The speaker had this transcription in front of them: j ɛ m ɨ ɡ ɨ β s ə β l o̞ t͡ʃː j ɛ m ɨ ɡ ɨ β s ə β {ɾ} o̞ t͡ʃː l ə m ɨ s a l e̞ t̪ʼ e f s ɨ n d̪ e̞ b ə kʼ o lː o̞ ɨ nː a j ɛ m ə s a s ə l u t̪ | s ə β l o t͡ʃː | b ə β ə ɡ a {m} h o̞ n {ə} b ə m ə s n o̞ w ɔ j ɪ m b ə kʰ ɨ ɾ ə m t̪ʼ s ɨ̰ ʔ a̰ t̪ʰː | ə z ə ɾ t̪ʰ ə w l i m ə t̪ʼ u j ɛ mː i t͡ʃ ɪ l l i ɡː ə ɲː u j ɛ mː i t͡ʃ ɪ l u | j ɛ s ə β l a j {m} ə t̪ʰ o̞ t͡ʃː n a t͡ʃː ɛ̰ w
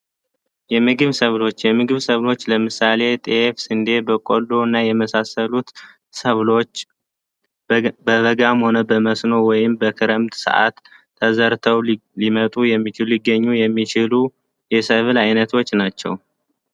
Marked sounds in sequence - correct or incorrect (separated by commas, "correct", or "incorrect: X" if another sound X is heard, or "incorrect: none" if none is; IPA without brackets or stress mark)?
incorrect: l, correct, correct, incorrect: n